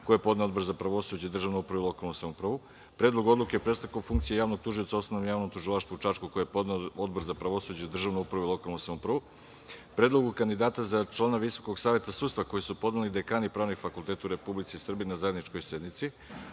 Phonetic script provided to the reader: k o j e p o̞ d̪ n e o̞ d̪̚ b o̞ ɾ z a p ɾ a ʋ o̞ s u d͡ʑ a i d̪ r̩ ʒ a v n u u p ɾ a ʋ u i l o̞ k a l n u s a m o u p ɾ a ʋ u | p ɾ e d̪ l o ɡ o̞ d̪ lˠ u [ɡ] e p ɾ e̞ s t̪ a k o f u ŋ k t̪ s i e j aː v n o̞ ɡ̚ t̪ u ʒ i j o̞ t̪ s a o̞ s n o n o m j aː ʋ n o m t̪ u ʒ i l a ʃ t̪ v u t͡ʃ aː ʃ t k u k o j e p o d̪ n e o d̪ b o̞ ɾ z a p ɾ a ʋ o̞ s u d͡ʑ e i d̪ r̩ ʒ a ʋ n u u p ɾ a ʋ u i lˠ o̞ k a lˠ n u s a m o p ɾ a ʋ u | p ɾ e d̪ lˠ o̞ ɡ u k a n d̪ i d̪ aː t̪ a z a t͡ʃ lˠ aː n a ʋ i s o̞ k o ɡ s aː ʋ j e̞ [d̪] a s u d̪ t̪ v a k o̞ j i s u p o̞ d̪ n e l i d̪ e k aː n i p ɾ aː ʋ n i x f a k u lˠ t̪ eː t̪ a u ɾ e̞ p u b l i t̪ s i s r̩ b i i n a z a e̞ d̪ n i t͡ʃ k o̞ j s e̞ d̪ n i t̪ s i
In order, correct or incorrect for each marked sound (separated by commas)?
incorrect, incorrect